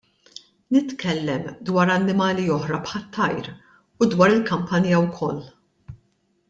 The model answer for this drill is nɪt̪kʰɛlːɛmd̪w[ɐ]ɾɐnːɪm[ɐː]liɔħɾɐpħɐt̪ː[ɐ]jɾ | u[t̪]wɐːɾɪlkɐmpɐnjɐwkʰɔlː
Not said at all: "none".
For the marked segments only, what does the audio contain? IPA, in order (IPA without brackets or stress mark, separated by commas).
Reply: ɐː, ɐː, ɐ, d̪